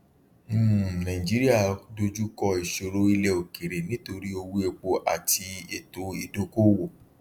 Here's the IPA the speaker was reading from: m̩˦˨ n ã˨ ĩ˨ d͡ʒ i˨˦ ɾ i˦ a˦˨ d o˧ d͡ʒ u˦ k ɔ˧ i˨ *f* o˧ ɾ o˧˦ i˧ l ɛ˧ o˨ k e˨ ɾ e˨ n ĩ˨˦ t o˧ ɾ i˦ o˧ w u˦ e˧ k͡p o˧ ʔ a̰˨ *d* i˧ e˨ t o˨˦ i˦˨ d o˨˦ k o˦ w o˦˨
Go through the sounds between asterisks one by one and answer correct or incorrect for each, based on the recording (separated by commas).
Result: incorrect, incorrect